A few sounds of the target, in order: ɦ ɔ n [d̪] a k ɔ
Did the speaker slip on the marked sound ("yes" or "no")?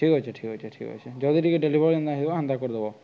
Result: no